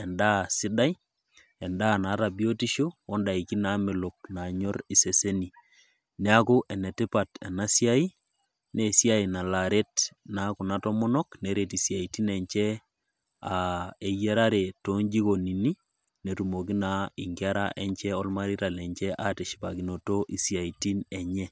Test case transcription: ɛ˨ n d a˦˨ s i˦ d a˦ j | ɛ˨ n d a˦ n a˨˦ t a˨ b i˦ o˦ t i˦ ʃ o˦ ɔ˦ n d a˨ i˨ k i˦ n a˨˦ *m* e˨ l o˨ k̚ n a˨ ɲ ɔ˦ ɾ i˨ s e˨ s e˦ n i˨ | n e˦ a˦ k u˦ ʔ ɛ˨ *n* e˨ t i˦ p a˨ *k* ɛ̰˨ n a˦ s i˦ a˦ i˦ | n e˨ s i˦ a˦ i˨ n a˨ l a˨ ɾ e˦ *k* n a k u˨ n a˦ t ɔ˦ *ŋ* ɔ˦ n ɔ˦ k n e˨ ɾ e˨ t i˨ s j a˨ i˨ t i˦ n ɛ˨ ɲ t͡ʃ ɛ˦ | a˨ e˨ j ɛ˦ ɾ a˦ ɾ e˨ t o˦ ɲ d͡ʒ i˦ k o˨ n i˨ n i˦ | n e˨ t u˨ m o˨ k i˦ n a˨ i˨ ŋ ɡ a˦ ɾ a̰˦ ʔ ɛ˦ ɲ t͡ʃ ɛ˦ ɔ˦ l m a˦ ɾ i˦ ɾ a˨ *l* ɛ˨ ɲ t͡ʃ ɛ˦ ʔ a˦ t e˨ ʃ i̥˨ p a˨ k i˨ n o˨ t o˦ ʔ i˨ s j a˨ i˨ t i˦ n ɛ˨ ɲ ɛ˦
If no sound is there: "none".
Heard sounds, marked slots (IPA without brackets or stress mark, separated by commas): m, n, t, t, m, l